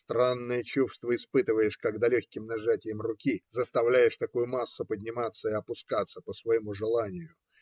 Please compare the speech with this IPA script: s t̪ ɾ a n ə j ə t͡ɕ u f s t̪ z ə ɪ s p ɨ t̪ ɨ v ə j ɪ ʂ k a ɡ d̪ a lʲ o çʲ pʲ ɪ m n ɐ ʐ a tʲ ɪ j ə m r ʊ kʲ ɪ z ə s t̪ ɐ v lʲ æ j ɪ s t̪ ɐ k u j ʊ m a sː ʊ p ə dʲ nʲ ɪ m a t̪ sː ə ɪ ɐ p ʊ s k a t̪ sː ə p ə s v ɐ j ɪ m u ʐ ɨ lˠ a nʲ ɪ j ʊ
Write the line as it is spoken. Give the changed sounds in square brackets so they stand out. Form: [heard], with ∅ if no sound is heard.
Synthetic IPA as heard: s t̪ ɾ a [nː] ə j ə t͡ɕ u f s t̪ [v] ə ɪ s p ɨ t̪ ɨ v ə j ɪ ʂ k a ɡ d̪ a lʲ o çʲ [kʲ] ɪ m n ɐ ʐ a tʲ ɪ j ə m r ʊ kʲ [i] z ə s t̪ ɐ v lʲ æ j ɪ [ʂ] t̪ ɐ k u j ʊ m a sː ʊ p ə dʲ nʲ ɪ m a t̪ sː ə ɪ ɐ p ʊ s k a t̪ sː ə p ə s v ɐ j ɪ m u ʐ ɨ lˠ a nʲ ɪ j ʊ